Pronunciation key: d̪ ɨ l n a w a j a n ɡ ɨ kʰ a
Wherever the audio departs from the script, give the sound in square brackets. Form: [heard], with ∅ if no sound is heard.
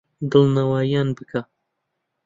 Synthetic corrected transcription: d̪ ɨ l n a w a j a n [b] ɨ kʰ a